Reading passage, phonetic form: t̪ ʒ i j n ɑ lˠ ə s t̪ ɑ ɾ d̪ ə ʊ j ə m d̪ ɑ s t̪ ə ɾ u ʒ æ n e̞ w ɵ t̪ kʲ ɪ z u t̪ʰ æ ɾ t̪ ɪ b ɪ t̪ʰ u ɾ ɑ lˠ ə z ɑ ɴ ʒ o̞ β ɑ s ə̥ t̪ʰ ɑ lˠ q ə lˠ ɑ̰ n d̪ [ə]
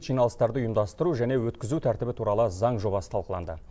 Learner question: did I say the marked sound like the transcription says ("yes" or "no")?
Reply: yes